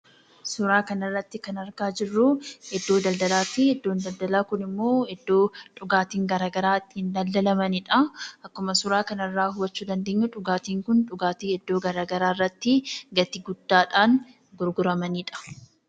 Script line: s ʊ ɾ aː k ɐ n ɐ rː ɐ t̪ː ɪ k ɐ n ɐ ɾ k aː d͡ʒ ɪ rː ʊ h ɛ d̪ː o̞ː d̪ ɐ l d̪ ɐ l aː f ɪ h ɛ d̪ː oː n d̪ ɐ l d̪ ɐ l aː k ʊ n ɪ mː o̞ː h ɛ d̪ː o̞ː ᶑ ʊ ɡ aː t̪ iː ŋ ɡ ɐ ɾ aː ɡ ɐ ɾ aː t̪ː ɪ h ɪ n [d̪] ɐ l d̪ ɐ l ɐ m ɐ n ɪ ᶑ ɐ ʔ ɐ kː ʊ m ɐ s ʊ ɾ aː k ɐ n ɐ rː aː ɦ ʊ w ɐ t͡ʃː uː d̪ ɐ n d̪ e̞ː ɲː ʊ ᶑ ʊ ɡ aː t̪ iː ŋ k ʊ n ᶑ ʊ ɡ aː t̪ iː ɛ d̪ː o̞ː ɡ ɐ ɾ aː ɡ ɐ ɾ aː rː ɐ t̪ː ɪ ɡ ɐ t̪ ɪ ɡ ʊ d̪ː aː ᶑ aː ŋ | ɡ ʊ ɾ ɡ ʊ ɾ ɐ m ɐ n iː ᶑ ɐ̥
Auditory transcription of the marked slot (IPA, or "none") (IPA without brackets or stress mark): d̪